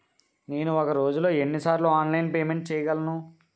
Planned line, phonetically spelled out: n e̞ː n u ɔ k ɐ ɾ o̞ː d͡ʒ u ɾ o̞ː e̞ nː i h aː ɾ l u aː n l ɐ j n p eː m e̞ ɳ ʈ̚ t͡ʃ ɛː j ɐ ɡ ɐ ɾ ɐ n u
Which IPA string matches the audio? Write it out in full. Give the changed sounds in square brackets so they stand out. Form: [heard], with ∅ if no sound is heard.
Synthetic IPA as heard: n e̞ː n u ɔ k ɐ ɾ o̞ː d͡ʒ u [l] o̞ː e̞ nː i [s] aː ɾ l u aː n l ɐ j n p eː m e̞ ɳ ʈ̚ t͡ʃ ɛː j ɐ ɡ ɐ [l] ɐ n u